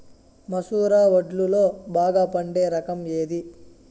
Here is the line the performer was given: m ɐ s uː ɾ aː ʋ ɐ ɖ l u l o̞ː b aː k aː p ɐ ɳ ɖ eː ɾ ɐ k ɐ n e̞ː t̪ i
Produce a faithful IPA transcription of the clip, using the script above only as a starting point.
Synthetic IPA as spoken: m ɐ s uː ɾ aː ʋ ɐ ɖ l u l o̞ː b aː ɡ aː p ɐ ɳ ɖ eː ɾ ɐ k ɐ m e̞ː d̪ i